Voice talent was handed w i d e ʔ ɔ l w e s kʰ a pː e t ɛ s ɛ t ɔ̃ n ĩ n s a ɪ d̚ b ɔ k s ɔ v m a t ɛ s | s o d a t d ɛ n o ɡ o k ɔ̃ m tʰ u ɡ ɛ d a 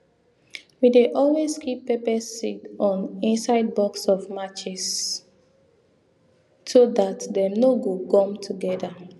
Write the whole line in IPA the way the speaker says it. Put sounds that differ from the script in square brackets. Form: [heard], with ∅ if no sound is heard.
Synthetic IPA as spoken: w i d e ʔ ɔ l w e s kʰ [i] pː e [p] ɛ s [i] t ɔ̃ n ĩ n s a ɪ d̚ b ɔ k s ɔ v m a [t͡ʃ] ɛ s | s o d a t d ɛ n o ɡ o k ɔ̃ m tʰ u ɡ ɛ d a